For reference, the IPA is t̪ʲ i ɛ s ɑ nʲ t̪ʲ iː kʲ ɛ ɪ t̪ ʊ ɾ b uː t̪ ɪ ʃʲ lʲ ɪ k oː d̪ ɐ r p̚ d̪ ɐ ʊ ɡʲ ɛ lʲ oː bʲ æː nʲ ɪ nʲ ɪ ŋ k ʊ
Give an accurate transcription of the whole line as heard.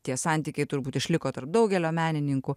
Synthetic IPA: t̪ʲ i ɛ s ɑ nʲ t̪ʲ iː kʲ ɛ ɪ t̪ ʊ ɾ b uː t̪ ɪ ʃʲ lʲ ɪ k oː t̪ ɐ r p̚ d̪ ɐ ʊ ɡʲ ɛ lʲ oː mʲ æː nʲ ɪ nʲ ɪ ŋ k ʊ